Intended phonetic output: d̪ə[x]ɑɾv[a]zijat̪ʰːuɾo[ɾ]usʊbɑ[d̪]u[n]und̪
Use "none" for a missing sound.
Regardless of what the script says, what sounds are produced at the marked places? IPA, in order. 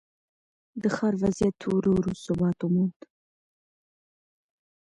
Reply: x, a, ɾ, t̪, m

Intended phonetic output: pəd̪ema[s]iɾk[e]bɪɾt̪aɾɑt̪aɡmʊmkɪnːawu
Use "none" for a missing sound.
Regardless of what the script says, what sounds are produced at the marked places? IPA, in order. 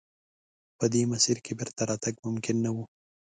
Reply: s, e

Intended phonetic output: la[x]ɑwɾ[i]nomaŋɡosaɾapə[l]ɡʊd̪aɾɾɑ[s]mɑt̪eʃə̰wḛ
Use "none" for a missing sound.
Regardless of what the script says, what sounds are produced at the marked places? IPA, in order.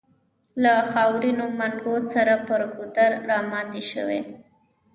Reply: x, i, ɾ, none

